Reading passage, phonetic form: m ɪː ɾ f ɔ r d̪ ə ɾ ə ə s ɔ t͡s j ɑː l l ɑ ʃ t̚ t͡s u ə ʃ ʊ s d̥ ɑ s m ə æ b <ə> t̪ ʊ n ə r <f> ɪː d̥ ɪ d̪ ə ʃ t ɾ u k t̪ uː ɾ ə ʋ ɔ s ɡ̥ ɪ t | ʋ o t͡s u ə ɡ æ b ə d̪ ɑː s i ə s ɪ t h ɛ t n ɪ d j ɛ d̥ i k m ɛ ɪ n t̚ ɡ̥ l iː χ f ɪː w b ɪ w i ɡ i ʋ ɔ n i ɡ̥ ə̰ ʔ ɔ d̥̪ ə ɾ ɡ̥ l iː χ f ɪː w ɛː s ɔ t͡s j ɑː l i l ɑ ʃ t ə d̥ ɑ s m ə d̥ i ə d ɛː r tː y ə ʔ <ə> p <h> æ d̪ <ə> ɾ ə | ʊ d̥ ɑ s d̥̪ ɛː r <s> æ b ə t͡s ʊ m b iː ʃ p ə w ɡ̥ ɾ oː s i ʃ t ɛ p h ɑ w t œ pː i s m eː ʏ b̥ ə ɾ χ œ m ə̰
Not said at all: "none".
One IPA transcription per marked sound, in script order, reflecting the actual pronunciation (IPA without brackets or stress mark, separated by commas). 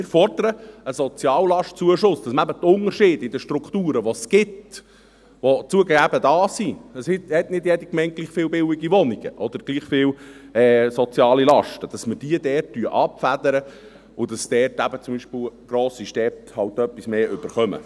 ə, ʃ, ɑ, f, ə, t